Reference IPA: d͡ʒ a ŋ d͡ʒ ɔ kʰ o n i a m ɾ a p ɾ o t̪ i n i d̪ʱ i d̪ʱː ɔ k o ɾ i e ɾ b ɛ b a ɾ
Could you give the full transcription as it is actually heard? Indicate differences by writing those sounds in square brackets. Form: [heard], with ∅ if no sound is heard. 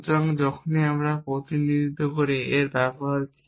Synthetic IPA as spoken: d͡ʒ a ŋ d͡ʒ ɔ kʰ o n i a m ɾ a p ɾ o t̪ i n i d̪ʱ i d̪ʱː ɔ k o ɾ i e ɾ b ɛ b a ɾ